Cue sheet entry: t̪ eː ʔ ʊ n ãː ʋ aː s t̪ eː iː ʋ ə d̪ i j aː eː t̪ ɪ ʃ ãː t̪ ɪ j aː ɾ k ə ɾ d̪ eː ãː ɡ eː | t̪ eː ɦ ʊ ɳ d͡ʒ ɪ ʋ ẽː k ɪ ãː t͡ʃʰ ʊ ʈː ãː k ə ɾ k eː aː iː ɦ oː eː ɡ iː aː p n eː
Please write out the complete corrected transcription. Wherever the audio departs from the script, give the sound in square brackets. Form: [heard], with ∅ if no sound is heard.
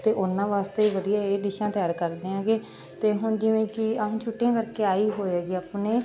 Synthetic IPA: t̪ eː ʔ ʊ n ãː ʋ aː s t̪ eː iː ʋ ə d̪ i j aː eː [d̪] ɪ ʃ ãː t̪ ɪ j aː ɾ k ə ɾ d̪ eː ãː ɡ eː | t̪ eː ɦ ʊ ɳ d͡ʒ ɪ ʋ ẽː k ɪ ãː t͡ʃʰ ʊ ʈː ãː k ə ɾ k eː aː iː ɦ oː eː ɡ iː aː p n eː

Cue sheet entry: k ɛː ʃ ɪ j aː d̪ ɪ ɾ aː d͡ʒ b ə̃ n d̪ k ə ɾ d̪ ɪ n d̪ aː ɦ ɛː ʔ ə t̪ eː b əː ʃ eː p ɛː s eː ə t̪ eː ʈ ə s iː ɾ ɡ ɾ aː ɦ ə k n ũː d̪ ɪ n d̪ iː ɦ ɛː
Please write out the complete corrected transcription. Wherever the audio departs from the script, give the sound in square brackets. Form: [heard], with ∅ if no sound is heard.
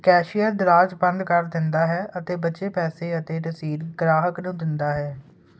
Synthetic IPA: k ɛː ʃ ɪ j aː d̪ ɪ ɾ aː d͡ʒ b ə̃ n d̪ k ə ɾ d̪ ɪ n d̪ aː ɦ ɛː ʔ ə t̪ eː b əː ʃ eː p ɛː s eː ə t̪ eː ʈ ə s iː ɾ ɡ ɾ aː ɦ ə k n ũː d̪ ɪ n d̪ [aː] ɦ ɛː

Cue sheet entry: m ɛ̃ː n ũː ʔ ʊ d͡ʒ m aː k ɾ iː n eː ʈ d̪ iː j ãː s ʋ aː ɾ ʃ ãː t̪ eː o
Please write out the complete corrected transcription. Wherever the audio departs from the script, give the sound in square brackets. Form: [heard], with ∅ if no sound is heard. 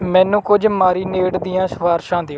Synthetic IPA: m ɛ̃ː n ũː [k] ʊ d͡ʒ m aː [∅] ɾ iː n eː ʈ d̪ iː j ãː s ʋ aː ɾ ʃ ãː [d̪] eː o

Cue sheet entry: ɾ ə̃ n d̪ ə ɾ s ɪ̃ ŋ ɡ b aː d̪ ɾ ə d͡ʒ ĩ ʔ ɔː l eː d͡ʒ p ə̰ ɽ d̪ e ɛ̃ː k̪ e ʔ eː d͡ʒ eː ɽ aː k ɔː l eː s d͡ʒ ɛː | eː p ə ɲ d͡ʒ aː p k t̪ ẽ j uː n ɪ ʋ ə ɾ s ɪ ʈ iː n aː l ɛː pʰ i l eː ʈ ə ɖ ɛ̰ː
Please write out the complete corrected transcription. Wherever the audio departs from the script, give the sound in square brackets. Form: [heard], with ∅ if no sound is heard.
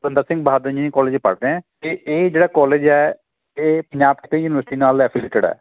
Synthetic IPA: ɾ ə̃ n d̪ ə ɾ s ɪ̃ ŋ ɡ b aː d̪ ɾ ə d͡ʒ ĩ [k] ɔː l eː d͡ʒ p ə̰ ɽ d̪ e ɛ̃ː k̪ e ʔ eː d͡ʒ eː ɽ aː k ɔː l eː [∅] d͡ʒ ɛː | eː p ə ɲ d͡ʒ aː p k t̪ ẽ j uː n ɪ ʋ ə ɾ s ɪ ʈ iː n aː l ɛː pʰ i l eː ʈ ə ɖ ɛ̰ː

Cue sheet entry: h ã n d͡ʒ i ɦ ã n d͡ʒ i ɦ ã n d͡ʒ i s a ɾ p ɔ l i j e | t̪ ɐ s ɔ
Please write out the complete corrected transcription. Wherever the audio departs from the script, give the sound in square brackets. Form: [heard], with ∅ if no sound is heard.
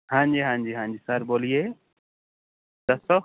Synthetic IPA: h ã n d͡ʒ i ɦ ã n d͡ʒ i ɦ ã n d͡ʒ i s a ɾ [b] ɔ l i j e | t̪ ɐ s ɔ

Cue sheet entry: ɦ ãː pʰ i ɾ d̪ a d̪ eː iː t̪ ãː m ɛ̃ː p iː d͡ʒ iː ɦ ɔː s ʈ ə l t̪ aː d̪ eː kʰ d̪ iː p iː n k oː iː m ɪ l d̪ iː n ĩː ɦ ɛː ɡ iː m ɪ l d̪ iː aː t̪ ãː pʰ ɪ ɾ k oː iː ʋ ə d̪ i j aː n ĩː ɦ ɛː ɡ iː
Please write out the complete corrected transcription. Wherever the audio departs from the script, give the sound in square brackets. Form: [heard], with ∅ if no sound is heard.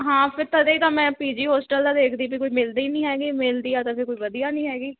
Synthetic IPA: ɦ ãː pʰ [ɪ] ɾ [t̪] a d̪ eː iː t̪ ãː m ɛ̃ː p iː d͡ʒ iː ɦ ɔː s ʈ ə l [d̪] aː d̪ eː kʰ d̪ iː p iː [∅] k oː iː m ɪ l d̪ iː n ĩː ɦ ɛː ɡ iː m ɪ l d̪ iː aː t̪ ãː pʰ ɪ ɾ k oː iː ʋ ə d̪ i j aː n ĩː ɦ ɛː ɡ iː

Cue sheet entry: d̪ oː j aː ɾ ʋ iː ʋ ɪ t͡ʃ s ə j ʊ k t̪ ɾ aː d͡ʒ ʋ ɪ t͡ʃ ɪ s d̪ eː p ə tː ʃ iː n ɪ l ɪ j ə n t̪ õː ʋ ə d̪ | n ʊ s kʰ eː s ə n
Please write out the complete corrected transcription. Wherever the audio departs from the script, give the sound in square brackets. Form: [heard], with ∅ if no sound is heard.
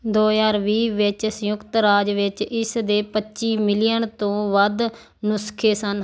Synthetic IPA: d̪ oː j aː ɾ ʋ iː ʋ ɪ t͡ʃ s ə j ʊ k t̪ ɾ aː d͡ʒ ʋ ɪ t͡ʃ ɪ s d̪ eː p ə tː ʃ iː [m] ɪ l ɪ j ə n t̪ õː ʋ ə d̪ | n ʊ s kʰ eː s ə n

